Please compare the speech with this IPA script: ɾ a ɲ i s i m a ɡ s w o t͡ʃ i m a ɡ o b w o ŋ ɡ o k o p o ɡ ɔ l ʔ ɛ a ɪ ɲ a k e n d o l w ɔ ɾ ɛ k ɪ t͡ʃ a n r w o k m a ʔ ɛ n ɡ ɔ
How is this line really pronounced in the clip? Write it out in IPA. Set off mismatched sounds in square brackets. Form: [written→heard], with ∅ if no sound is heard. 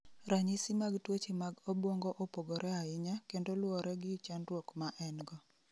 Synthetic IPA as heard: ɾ a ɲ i s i m a ɡ [s→t] w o t͡ʃ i m a ɡ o b w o ŋ ɡ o [k→ʔ] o p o ɡ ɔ [l→ɾ] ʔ ɛ a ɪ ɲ a k e n d o l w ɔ ɾ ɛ [k→ɡ] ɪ t͡ʃ a n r w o k m a ʔ ɛ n ɡ ɔ